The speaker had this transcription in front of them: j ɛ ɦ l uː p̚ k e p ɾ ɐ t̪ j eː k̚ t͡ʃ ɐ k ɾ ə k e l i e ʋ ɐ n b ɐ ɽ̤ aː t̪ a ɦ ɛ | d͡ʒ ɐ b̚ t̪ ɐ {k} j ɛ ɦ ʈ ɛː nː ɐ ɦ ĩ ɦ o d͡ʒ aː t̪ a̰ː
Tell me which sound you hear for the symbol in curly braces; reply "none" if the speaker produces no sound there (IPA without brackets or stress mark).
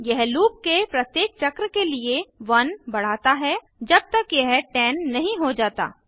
k